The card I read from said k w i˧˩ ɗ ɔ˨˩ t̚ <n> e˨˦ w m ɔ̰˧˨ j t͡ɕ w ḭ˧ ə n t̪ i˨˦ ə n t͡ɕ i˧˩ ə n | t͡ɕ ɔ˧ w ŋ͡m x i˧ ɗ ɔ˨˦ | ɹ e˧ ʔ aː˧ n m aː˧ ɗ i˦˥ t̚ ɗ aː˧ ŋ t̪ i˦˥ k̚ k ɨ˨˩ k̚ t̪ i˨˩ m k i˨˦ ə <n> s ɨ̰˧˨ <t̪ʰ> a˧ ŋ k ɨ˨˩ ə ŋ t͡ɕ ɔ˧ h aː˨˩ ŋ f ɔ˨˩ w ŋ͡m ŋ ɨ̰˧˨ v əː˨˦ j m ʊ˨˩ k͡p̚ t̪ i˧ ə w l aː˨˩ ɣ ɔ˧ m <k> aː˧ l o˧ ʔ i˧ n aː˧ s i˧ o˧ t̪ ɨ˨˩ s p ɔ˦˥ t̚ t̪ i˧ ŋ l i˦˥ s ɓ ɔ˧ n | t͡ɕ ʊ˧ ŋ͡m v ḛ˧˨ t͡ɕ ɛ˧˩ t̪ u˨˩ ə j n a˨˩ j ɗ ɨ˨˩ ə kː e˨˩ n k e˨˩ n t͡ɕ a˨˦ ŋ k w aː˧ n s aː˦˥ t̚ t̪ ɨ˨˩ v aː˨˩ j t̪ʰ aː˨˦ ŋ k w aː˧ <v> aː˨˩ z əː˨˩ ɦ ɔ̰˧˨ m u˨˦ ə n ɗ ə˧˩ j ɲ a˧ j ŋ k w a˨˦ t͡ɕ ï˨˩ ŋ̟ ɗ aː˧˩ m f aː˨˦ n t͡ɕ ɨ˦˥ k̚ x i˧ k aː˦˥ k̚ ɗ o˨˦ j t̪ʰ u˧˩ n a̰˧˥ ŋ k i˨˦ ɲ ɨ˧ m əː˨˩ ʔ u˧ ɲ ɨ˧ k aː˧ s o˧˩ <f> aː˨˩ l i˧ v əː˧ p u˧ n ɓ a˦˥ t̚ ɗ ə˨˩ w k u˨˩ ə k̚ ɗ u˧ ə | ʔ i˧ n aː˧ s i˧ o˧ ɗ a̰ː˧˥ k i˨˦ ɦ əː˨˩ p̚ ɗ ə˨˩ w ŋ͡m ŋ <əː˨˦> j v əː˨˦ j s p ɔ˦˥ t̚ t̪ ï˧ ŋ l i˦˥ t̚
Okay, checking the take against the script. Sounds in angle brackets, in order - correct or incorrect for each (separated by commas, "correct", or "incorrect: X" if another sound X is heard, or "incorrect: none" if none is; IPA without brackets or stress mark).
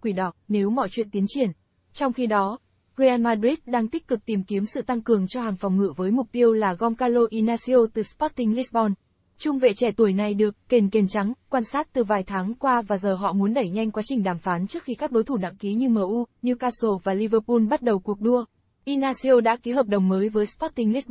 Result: correct, incorrect: m, incorrect: t̪, correct, correct, incorrect: v, correct